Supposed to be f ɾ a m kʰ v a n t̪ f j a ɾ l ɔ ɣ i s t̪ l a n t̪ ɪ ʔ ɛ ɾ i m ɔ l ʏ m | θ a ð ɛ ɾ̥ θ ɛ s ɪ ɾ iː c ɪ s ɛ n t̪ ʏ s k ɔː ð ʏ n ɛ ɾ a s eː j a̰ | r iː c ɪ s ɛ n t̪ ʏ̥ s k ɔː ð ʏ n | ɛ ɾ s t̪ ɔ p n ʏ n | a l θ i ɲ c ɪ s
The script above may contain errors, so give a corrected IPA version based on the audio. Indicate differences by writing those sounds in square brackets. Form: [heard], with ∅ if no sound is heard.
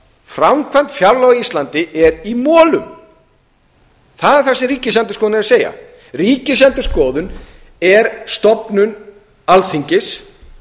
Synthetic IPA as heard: f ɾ a m kʰ v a n t̪ f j a ɾ l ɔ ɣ i s t̪ l a n t̪ ɪ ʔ ɛ ɾ i m [ɔː] l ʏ m | θ a ð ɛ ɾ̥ θ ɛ s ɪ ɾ iː c ɪ s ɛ n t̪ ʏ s k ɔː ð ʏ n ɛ ɾ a s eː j a̰ | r iː c ɪ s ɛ n t̪ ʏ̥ s k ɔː ð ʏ n | ɛ ɾ s t̪ ɔ p n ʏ n | a l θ i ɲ c ɪ s